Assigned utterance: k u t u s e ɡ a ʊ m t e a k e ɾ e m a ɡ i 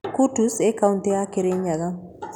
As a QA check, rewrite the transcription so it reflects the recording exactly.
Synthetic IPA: k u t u s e k a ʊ n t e a k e ɾ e ɲ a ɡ a